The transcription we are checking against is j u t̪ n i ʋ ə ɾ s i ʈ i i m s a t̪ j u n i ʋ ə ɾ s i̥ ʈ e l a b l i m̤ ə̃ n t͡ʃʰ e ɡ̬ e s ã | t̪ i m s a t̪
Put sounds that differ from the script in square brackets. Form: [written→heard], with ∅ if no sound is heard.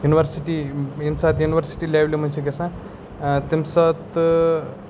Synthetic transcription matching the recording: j u [t̪→∅] n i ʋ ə ɾ s i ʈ i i m s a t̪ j u n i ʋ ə ɾ s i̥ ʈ [e→i] l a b l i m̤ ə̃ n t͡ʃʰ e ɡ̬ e s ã | t̪ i m s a t̪